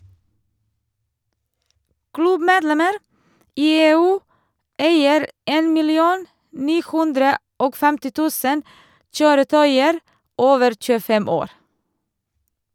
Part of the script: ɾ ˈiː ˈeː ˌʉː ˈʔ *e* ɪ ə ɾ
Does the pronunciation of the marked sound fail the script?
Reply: yes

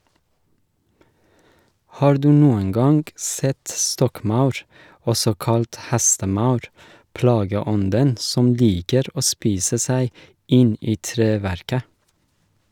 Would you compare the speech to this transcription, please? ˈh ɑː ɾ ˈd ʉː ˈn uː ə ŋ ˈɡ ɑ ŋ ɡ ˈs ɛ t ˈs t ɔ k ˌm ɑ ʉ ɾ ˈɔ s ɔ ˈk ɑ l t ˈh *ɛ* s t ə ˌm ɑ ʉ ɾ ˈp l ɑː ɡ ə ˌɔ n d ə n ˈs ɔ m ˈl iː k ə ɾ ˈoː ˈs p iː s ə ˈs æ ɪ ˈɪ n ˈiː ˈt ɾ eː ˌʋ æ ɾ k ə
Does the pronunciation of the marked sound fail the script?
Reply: yes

